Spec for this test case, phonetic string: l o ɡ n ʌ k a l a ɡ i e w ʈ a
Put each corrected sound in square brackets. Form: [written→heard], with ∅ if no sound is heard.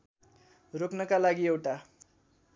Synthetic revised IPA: [l→r] o [ɡ→k] n ʌ k a l a ɡ i e w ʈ a